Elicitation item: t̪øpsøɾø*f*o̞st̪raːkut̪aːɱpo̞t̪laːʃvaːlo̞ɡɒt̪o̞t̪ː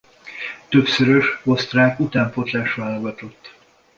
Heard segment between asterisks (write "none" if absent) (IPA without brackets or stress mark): ʃ